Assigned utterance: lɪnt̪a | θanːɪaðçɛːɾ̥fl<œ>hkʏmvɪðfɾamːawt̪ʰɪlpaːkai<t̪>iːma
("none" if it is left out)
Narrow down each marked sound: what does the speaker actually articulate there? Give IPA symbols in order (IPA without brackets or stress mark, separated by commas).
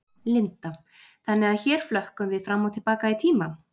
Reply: œ, t̪ʰ